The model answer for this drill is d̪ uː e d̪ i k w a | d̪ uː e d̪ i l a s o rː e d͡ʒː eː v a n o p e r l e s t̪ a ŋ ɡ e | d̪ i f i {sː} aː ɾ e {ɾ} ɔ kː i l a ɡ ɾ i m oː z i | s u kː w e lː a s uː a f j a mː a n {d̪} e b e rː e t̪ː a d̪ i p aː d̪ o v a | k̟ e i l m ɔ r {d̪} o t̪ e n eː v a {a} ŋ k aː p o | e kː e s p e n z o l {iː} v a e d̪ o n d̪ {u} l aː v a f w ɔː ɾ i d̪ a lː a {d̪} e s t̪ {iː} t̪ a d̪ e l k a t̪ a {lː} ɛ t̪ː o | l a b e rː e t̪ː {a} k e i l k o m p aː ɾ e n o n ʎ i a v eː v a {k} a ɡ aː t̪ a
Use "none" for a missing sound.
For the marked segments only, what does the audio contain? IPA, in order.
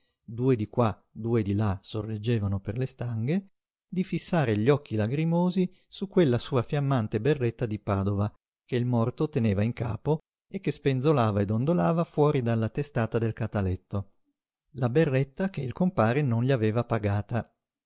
sː, ʎ, t̪, t̪, i, aː, o, t̪, aː, l, a, p

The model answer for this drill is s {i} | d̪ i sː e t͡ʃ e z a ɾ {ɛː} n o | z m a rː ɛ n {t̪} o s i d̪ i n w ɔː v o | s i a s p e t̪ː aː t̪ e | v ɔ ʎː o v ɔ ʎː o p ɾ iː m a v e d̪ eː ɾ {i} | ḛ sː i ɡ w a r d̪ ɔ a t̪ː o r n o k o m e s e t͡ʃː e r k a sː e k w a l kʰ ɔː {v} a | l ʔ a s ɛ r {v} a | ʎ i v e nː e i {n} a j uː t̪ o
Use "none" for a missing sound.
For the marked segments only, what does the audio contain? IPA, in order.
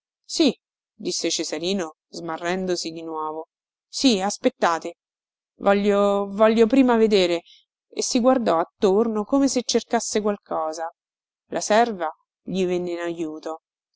i, iː, d̪, e, z, v, n

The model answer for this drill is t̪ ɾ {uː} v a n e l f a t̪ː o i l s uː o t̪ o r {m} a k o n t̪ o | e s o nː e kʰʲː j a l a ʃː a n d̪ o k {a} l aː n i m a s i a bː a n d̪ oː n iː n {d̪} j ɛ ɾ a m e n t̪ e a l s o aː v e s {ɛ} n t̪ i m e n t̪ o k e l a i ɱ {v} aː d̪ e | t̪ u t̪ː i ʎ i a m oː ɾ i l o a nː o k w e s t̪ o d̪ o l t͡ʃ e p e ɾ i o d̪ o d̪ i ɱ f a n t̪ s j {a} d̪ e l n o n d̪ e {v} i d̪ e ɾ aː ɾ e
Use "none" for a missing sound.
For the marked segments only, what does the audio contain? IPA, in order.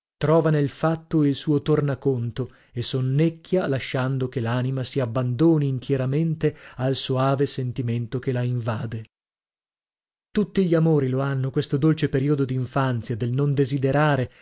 ɔː, n, e, t̪, e, v, a, z

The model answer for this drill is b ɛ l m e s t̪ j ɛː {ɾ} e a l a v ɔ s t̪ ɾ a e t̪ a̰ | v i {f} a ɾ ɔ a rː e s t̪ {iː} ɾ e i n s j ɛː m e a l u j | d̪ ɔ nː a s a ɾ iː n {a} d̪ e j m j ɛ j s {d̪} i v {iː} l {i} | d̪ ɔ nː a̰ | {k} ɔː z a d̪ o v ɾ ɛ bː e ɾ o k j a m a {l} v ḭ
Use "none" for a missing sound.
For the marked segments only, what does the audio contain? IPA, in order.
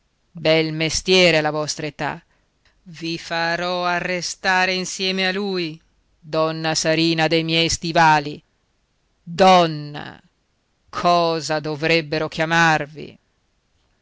ɾ, f, aː, a, t̪, aː, i, kʰ, r

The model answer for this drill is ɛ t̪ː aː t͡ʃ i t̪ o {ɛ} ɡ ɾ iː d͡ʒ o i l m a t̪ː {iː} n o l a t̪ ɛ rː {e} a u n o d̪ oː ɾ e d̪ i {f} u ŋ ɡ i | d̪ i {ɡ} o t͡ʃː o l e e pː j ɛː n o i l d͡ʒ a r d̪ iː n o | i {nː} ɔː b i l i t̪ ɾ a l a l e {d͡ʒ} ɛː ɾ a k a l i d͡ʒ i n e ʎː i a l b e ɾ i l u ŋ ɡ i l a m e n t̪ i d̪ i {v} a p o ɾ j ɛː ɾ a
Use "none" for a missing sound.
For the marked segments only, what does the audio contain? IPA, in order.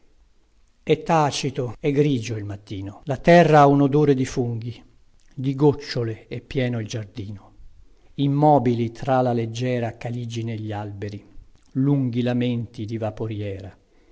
ɛ, iː, a, f, ɡ, mː, d͡ʒː, v

